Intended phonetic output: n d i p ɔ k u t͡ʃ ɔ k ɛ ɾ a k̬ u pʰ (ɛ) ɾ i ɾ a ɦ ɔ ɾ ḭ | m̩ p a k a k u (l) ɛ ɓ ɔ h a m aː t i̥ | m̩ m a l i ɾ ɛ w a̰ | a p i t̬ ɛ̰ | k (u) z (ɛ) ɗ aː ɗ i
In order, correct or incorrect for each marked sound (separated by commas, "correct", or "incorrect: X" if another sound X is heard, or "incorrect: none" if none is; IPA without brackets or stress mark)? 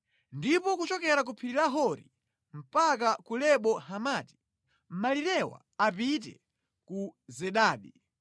incorrect: i, correct, correct, correct